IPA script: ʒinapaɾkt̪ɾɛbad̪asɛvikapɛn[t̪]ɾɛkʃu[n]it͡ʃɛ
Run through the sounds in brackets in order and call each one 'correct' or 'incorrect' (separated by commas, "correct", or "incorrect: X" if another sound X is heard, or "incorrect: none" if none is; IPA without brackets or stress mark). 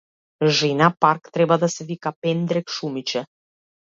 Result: incorrect: d̪, incorrect: m